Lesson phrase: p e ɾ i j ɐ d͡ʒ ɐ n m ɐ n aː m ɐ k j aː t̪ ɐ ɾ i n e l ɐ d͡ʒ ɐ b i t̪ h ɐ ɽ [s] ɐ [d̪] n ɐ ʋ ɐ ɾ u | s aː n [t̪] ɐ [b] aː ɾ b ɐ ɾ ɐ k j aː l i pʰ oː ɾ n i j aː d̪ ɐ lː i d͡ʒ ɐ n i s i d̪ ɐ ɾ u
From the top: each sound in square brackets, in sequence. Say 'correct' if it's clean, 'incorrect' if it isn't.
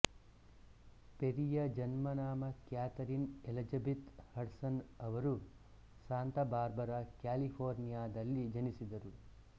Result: correct, incorrect, correct, correct

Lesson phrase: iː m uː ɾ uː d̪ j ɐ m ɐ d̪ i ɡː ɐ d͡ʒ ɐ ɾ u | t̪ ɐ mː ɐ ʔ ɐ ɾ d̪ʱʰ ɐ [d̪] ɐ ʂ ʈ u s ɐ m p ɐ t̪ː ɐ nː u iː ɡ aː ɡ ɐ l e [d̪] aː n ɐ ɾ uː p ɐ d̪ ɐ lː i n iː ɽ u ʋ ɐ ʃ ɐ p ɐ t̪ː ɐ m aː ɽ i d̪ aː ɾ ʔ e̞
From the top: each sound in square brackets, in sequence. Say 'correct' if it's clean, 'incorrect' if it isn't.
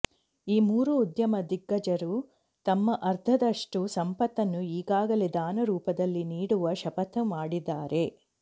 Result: correct, correct

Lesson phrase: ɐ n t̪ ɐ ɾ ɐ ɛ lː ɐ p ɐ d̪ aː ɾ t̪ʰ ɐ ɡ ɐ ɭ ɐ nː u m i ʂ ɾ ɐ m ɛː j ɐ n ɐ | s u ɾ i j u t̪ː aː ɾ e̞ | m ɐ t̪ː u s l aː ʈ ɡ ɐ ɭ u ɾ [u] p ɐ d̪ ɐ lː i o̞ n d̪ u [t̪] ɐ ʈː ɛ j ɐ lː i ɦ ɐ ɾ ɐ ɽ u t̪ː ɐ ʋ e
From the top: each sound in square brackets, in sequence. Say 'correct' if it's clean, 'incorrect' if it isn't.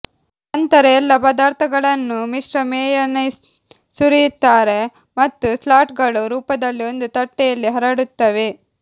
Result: incorrect, correct

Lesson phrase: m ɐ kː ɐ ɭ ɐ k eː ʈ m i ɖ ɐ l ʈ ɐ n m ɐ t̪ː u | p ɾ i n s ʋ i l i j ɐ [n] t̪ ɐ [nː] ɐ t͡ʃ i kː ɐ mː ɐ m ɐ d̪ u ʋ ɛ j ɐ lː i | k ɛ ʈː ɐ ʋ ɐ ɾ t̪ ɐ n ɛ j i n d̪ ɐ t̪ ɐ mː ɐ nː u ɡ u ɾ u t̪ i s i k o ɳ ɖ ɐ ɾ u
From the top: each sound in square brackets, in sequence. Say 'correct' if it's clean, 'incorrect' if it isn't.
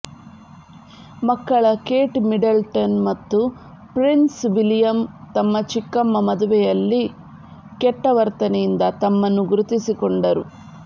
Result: incorrect, incorrect

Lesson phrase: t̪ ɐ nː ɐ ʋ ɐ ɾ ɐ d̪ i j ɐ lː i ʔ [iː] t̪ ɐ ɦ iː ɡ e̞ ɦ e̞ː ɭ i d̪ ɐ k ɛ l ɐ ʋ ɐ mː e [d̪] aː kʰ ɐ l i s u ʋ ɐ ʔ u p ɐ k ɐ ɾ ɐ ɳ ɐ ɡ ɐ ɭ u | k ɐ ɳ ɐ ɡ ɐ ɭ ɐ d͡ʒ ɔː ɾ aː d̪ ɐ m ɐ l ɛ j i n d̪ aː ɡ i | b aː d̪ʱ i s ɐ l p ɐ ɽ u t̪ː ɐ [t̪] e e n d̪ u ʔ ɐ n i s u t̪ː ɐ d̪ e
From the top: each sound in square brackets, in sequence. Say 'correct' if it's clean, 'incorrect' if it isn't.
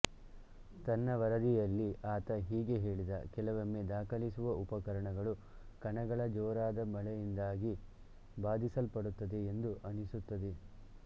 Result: incorrect, correct, incorrect

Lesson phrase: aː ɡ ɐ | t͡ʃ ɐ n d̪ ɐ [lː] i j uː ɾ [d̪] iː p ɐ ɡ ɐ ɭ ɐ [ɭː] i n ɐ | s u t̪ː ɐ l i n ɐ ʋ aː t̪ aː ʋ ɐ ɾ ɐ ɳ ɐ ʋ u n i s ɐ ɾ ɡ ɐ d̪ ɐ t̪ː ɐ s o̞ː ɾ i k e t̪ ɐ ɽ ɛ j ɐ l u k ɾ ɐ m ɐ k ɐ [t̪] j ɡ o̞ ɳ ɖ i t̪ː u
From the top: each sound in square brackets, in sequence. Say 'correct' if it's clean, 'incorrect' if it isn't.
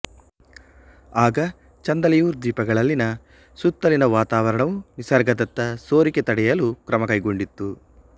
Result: incorrect, correct, incorrect, incorrect

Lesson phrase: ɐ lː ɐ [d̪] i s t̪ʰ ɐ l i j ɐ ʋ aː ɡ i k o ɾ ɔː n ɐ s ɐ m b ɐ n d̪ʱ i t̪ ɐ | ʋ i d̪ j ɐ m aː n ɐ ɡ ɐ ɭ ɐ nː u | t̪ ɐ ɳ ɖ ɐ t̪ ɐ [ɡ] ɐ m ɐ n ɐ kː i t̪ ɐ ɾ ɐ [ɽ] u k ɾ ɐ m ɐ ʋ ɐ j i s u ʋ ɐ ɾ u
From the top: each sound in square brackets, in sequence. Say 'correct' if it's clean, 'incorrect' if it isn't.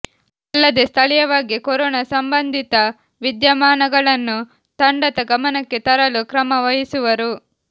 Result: correct, correct, incorrect

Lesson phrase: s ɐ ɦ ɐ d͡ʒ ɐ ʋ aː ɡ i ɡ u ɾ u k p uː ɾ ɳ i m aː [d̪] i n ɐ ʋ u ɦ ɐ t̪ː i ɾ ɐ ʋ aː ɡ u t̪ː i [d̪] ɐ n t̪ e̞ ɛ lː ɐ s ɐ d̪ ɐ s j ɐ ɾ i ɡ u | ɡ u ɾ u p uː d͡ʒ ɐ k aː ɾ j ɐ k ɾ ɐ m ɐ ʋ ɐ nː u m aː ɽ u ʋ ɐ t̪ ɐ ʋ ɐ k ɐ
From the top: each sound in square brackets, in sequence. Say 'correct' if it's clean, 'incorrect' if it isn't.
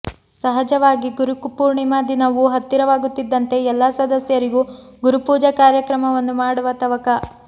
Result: correct, incorrect

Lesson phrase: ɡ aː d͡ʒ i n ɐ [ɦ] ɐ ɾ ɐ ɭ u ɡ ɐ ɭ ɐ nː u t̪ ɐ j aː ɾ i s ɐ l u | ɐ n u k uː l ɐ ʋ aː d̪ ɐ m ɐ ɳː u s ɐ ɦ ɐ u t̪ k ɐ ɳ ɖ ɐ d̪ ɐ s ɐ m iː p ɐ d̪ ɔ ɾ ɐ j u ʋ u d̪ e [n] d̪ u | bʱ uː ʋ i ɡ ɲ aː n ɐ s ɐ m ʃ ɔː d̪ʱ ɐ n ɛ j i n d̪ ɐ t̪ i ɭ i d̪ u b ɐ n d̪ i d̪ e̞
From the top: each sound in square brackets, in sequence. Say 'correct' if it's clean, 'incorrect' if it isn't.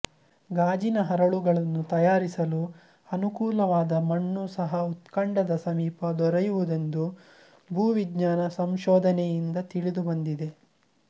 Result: correct, correct

